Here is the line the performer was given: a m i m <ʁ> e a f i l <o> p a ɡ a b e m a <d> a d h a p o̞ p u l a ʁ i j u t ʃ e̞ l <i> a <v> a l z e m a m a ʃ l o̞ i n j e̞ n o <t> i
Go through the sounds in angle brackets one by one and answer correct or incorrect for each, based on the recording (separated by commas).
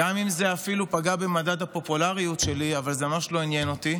incorrect, incorrect, correct, correct, correct, correct